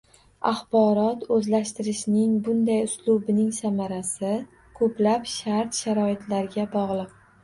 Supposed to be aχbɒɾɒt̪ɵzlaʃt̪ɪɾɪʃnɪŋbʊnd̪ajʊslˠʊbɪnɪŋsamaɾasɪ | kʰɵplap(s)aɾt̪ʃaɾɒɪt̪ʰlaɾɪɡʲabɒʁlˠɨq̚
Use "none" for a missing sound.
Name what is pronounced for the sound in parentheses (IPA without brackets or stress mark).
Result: ʃ